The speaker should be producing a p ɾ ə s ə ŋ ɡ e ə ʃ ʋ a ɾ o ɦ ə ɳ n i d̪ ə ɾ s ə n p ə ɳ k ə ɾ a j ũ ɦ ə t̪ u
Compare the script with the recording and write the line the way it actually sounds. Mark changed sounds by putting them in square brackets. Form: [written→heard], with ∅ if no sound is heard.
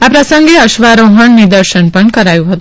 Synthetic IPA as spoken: a p ɾ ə s ə ŋ ɡ e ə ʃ ʋ a ɾ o ɦ ə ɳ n i d̪ ə ɾ [s→ʃ] ə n p ə ɳ k ə ɾ a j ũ ɦ ə t̪ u